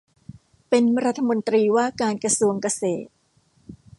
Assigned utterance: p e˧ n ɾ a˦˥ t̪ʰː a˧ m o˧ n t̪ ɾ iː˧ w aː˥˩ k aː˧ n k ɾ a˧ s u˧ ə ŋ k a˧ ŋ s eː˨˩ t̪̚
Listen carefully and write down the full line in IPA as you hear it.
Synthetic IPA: p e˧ n ɾ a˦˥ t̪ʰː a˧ m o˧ n t̪ ɾ iː˧ w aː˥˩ k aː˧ n k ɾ a˧ s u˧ ə ŋ k a˧ s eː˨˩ t̪̚